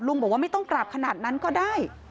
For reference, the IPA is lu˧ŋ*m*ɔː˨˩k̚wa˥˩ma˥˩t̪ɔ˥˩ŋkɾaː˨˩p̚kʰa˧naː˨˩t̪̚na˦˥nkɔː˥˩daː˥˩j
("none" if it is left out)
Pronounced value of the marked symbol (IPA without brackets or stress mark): b